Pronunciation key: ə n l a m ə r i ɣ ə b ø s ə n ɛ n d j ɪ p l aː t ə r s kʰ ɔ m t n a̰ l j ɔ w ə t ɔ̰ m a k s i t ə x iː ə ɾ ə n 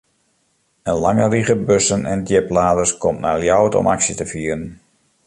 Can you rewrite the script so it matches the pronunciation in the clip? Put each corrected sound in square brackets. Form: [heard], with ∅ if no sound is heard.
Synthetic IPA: ə n l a [ŋ] ə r i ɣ ə b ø s ə n ɛ n d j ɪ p l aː [d] ə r s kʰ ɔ m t n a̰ l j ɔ w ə t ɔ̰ m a k s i t ə [f] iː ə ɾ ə n